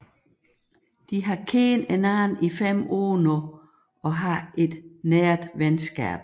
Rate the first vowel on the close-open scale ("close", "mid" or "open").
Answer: close